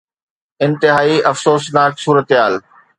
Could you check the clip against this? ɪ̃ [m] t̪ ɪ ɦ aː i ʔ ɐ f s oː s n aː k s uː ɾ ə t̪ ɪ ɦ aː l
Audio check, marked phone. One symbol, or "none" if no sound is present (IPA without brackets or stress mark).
n